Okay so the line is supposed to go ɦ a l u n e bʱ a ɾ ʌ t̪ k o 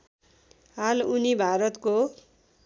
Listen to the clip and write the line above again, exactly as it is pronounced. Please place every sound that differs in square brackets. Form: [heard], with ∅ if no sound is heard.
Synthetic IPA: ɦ a l u n [i] bʱ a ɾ ʌ t̪ k o

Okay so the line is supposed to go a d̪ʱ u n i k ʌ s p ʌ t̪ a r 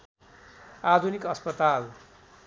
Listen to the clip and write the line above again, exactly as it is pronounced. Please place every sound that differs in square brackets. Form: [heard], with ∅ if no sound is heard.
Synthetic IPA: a d̪ʱ u n i k ʌ s p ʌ t̪ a [l]

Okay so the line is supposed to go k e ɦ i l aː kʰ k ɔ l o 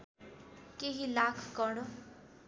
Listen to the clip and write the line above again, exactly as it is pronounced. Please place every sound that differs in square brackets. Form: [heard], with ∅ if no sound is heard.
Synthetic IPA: k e ɦ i l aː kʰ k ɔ [ɽ] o

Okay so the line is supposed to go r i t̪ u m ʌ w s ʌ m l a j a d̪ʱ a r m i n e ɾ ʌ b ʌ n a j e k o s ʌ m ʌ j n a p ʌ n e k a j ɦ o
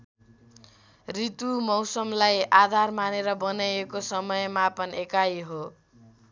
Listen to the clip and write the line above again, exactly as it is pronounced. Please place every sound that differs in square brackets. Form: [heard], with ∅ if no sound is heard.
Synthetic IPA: r i t̪ u m ʌ w s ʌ m l a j a d̪ʱ a r m [a] n e ɾ ʌ b ʌ n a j e k o s ʌ m ʌ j [m] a p ʌ n e k a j ɦ o

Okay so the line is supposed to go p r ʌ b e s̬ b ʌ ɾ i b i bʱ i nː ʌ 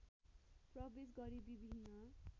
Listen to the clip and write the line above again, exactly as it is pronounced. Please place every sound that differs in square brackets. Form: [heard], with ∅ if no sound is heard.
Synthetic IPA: p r ʌ b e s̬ [ɡ] ʌ ɾ i b i bʱ i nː ʌ

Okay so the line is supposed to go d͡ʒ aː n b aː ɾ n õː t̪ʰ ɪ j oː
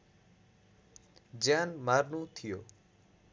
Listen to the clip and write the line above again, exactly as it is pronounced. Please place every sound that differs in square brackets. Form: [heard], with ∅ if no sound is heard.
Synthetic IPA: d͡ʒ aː n [m] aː ɾ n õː t̪ʰ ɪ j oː

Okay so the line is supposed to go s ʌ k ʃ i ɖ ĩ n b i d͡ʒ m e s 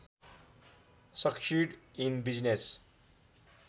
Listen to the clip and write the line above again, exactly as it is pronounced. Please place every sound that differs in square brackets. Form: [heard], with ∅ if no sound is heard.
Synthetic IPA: s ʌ k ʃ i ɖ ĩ n b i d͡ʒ [n] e s

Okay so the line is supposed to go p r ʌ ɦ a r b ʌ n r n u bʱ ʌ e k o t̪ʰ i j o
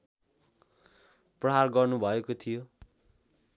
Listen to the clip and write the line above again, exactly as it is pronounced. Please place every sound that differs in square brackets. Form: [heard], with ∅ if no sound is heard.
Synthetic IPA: p r ʌ ɦ a r [ɡ] ʌ [∅] r n u bʱ ʌ e k o t̪ʰ i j o

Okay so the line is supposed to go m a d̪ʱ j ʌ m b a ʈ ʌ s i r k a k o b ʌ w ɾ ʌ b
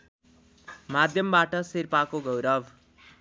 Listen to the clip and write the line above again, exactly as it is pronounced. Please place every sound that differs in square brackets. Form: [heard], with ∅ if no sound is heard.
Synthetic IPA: m a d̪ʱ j ʌ m b a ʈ ʌ s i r [p] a k o [ɡ] ʌ w ɾ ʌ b

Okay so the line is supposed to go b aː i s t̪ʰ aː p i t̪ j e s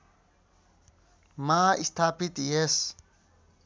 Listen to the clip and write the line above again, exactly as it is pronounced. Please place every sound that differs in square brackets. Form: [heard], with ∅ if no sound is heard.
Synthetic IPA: [m] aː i s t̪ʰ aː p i t̪ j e s

